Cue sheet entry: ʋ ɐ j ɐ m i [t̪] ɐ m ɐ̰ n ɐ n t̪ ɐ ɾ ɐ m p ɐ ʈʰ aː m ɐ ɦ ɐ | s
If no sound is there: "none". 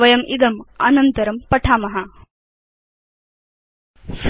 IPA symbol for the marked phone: d̪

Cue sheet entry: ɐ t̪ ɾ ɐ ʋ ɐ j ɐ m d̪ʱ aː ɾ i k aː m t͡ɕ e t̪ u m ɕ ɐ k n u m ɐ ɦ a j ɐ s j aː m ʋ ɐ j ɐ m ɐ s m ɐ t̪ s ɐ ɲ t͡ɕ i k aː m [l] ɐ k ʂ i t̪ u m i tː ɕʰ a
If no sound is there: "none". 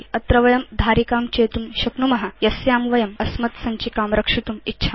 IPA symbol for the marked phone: ɾ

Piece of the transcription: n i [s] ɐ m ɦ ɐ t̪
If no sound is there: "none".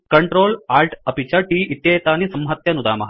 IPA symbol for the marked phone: s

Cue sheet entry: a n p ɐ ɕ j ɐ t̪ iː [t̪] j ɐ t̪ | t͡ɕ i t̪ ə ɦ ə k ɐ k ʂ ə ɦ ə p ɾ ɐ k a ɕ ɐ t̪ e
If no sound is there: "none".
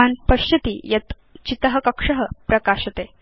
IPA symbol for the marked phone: none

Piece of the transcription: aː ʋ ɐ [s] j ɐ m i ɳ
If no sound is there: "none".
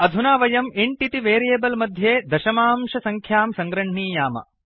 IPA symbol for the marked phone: none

